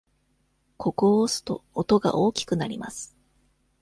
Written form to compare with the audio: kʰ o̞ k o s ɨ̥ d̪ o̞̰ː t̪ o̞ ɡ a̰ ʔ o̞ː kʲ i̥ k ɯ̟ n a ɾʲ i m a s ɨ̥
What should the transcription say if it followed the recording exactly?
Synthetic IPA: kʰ o̞ k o s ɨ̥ t̪ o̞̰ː t̪ o̞ ɡ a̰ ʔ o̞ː kʲ i̥ k ɯ̟ n a ɾʲ i m a s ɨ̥